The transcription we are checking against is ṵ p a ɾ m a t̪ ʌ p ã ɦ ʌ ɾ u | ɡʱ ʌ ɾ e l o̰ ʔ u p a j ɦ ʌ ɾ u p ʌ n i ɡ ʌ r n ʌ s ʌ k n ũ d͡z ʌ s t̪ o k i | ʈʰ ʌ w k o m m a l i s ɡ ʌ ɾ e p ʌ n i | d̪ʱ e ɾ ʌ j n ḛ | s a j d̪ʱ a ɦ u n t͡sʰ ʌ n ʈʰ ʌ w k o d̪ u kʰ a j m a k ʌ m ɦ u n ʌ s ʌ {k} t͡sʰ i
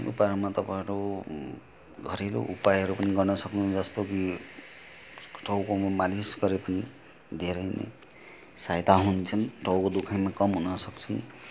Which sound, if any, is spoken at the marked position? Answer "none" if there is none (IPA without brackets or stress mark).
k